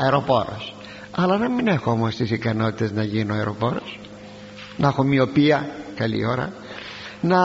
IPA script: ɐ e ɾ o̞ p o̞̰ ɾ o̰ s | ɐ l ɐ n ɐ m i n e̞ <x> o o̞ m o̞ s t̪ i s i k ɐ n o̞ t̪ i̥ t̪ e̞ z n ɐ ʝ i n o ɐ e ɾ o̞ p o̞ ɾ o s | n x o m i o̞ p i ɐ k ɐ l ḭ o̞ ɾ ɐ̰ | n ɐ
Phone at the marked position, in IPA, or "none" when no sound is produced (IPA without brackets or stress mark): x